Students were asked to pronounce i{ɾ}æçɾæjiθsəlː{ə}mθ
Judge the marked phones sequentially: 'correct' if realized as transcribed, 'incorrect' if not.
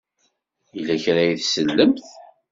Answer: incorrect, correct

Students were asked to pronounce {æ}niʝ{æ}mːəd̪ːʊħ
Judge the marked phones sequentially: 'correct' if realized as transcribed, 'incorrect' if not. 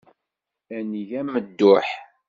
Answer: correct, correct

